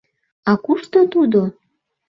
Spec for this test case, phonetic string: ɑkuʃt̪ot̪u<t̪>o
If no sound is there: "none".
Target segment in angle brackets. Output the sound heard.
d̪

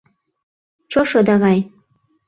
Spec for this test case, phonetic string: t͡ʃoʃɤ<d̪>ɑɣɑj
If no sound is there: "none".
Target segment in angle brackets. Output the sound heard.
d̪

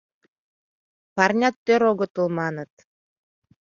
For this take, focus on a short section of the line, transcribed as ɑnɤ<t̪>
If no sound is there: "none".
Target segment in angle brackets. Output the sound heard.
t̪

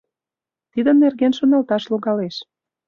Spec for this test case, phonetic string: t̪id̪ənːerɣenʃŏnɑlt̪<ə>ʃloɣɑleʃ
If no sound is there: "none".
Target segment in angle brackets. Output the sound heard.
ɑ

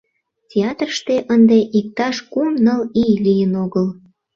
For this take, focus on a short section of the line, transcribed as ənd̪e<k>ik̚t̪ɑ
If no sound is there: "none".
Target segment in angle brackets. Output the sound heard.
ʔ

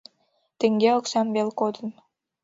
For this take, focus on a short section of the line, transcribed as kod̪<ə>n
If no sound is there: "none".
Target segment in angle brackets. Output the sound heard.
ə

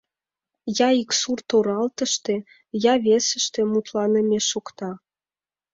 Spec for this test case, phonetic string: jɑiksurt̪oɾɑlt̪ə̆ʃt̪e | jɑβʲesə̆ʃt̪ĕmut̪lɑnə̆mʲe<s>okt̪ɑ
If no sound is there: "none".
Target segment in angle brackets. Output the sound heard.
ʃ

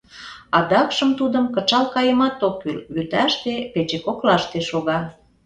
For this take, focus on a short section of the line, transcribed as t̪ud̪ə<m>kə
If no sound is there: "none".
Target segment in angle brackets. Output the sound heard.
m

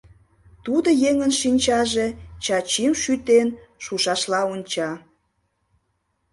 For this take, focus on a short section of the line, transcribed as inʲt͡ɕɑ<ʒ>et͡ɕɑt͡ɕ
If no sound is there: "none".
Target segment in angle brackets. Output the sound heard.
ʒ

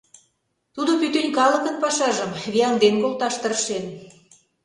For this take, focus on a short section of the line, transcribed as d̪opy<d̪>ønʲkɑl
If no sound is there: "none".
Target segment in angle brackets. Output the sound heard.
t̪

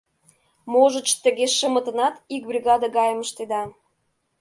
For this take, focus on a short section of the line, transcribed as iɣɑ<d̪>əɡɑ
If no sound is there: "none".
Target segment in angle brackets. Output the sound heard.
d̪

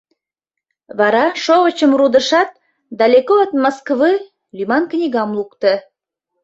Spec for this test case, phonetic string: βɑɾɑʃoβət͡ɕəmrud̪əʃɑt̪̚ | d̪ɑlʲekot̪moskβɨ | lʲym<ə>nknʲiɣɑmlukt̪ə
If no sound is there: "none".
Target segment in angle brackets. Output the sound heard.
ɑ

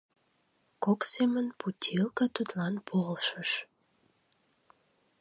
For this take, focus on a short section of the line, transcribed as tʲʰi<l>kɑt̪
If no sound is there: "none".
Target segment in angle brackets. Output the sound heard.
l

